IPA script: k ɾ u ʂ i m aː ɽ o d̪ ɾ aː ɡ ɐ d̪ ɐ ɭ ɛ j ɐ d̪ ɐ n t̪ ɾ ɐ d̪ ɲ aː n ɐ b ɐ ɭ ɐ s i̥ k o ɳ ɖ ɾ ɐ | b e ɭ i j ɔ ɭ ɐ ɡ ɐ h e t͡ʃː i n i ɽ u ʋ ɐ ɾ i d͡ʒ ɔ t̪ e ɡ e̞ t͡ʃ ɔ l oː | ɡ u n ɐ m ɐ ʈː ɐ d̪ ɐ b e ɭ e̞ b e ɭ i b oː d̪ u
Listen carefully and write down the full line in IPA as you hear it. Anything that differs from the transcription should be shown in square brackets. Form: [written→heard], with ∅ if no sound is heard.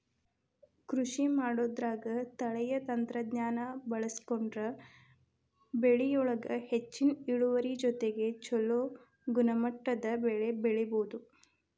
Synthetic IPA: k ɾ u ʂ i m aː ɽ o d̪ ɾ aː ɡ ɐ [d̪→t̪] ɐ ɭ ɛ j ɐ [d̪→t̪] ɐ n t̪ ɾ ɐ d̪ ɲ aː n ɐ b ɐ ɭ ɐ s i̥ k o ɳ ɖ ɾ ɐ | b e ɭ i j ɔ ɭ ɐ ɡ ɐ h e t͡ʃː i n i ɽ u ʋ ɐ ɾ i d͡ʒ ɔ t̪ e ɡ e̞ t͡ʃ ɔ l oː | ɡ u n ɐ m ɐ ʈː ɐ d̪ ɐ b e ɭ e̞ b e ɭ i b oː d̪ u

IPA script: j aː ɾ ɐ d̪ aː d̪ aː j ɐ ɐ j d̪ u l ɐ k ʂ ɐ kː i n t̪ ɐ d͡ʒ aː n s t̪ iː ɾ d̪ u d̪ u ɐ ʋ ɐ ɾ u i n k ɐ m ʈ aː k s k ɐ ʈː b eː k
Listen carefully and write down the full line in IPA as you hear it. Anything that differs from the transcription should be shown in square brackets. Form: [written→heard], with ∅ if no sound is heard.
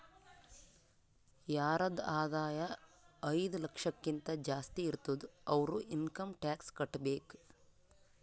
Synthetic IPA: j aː ɾ ɐ d̪ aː d̪ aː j ɐ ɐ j d̪ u l ɐ k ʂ ɐ kː i n t̪ ɐ d͡ʒ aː [n→∅] s t̪ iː ɾ [d̪→t̪] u d̪ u ɐ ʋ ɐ ɾ u i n k ɐ m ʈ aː k s k ɐ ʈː b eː k

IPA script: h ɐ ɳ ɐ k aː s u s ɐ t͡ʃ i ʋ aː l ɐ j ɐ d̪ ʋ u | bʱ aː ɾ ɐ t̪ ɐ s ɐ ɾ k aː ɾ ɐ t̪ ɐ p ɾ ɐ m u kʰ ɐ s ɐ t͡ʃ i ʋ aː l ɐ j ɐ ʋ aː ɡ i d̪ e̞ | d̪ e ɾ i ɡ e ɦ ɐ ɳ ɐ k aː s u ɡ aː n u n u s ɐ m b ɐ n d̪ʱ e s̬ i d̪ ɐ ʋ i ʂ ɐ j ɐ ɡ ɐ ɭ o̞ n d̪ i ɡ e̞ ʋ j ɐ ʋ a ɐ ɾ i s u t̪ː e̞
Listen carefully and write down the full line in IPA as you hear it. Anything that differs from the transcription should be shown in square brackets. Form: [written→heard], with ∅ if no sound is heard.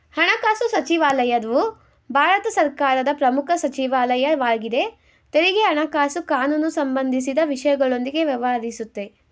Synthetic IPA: h ɐ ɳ ɐ k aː s u s ɐ t͡ʃ i ʋ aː l ɐ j ɐ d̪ ʋ u | bʱ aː ɾ ɐ t̪ ɐ s ɐ ɾ k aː ɾ ɐ [t̪→d̪] ɐ p ɾ ɐ m u kʰ ɐ s ɐ t͡ʃ i ʋ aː l ɐ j ɐ ʋ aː ɡ i d̪ e̞ | [d̪→t̪] e ɾ i ɡ e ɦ ɐ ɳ ɐ k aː s u [ɡ→k] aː n u n u s ɐ m b ɐ n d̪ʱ [e→i] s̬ i d̪ ɐ ʋ i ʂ ɐ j ɐ ɡ ɐ ɭ o̞ n d̪ i ɡ e̞ ʋ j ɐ ʋ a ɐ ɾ i s u t̪ː e̞

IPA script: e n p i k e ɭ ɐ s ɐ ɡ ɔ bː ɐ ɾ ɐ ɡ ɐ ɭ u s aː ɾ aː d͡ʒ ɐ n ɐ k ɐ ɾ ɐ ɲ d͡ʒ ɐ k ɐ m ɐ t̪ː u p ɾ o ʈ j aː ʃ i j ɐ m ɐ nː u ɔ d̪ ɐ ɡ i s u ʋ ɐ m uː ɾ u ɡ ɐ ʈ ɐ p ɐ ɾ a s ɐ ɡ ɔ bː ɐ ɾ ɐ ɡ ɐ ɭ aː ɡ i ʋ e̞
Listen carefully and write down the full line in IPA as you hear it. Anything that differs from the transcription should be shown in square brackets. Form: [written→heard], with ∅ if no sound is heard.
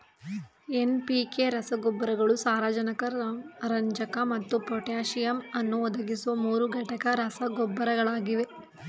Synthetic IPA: e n p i k e [ɭ→ɾ] ɐ s ɐ ɡ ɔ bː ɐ ɾ ɐ ɡ ɐ ɭ u s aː ɾ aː d͡ʒ ɐ n ɐ k ɐ ɾ ɐ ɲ d͡ʒ ɐ k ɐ m ɐ t̪ː u p ɾ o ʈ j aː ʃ i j ɐ m ɐ nː u ɔ d̪ ɐ ɡ i s u ʋ ɐ m uː ɾ u ɡ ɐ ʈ ɐ [p→k] ɐ ɾ [a→ɐ] s ɐ ɡ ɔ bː ɐ ɾ ɐ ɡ ɐ ɭ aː ɡ i ʋ e̞

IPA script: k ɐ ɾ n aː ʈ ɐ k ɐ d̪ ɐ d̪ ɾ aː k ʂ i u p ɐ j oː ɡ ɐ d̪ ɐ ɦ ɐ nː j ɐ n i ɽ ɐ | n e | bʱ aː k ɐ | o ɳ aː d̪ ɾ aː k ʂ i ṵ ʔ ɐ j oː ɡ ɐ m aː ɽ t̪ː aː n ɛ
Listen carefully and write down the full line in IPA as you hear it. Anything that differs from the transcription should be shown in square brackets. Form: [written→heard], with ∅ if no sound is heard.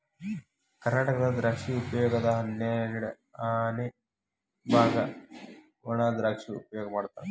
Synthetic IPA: k ɐ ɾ n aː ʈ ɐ k ɐ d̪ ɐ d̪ ɾ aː k ʂ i u p ɐ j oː ɡ ɐ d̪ ɐ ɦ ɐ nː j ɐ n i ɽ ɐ | n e | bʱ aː [k→ɡ] ɐ | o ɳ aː d̪ ɾ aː k ʂ i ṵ [ʔ→p] ɐ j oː ɡ ɐ m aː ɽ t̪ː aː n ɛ

